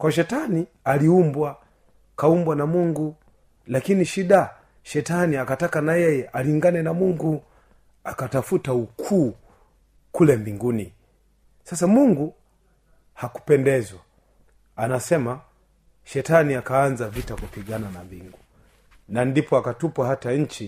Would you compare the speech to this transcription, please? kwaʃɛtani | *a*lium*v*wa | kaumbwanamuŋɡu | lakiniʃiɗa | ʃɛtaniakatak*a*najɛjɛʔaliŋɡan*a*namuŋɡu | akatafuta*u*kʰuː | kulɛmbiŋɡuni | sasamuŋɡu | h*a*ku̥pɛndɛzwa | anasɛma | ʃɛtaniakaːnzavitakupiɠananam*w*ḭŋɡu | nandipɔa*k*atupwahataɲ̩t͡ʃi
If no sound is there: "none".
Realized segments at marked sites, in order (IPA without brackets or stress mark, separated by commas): a, b, a, ɛ, u, a, b, k